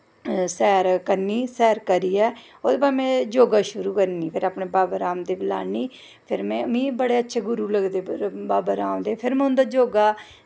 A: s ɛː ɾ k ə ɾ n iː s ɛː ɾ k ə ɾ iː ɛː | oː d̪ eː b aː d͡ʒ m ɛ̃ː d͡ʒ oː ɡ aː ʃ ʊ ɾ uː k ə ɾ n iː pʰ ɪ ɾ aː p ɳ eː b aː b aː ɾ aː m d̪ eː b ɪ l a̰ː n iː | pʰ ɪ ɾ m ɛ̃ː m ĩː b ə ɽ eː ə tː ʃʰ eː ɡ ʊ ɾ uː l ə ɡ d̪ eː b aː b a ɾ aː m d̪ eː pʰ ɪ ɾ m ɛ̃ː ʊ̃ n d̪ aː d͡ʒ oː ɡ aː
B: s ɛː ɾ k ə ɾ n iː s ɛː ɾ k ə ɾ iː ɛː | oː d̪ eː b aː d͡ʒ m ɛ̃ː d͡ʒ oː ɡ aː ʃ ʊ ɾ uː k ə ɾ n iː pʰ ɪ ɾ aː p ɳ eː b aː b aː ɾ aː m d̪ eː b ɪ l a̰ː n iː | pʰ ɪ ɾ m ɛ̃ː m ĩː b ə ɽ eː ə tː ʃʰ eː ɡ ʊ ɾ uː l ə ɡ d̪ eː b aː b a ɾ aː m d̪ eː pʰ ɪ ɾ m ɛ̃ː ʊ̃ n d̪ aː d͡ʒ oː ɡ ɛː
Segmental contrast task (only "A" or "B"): A